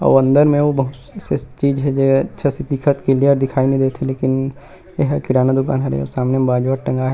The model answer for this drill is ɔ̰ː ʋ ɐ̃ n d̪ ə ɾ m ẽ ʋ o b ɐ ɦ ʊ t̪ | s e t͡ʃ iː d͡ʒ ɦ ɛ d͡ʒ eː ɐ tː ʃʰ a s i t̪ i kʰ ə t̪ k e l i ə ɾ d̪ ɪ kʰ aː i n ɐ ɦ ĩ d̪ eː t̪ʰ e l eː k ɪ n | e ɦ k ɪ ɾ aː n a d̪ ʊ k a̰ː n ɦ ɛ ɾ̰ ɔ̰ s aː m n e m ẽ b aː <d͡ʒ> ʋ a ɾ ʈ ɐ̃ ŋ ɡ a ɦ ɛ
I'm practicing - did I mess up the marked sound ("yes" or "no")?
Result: no